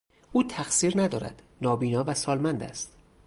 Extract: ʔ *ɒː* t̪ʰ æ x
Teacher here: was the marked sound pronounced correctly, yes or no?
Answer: no